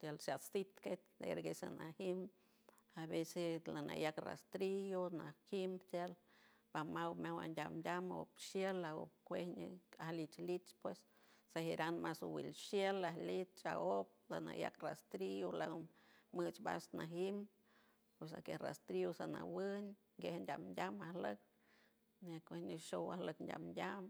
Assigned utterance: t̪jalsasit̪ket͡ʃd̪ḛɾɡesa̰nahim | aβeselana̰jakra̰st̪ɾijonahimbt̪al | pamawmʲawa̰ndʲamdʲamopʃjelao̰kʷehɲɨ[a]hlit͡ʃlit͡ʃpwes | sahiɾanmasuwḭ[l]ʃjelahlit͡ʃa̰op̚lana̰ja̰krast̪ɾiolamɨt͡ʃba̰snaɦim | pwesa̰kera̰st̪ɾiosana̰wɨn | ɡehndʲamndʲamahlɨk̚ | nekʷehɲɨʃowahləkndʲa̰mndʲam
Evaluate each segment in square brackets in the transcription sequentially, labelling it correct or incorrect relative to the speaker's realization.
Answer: correct, correct

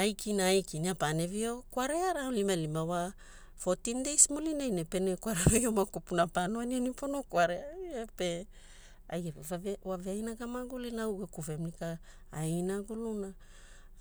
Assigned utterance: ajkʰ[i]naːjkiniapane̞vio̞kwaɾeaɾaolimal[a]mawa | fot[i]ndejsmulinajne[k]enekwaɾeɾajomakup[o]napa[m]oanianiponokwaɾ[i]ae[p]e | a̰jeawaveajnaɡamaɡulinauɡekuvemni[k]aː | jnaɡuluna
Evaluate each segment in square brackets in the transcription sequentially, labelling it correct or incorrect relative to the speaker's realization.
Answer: correct, incorrect: i, correct, incorrect: p, incorrect: u, incorrect: n, incorrect: e, correct, correct

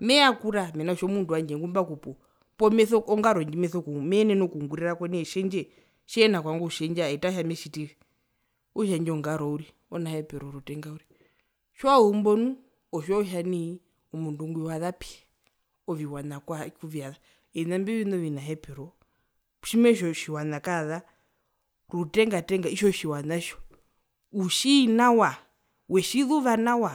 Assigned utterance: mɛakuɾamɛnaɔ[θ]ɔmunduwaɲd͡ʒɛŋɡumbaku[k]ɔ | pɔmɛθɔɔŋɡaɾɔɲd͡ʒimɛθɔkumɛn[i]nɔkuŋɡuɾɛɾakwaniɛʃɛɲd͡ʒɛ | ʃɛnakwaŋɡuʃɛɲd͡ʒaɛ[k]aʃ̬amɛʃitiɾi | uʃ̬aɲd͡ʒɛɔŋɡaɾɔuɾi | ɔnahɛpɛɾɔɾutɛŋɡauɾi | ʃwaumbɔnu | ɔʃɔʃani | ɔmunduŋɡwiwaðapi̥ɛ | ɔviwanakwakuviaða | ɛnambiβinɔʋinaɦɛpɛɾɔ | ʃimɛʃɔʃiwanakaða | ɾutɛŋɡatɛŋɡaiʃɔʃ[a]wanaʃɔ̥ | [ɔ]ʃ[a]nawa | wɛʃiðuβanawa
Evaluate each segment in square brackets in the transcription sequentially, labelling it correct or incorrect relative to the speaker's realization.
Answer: incorrect: ʃ, incorrect: p, incorrect: ɛ, incorrect: t, incorrect: i, incorrect: u, incorrect: i

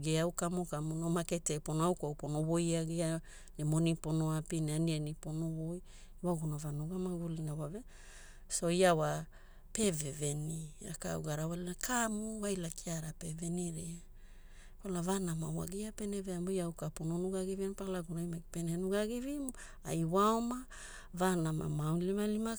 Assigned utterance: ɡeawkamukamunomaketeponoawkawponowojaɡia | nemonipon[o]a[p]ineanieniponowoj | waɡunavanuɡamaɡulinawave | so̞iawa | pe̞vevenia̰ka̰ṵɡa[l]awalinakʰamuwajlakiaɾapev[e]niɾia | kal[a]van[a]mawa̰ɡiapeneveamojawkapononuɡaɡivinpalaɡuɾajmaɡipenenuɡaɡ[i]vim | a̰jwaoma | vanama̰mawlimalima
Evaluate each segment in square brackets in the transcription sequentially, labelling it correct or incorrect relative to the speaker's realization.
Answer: correct, correct, incorrect: ɾ, correct, correct, correct, correct

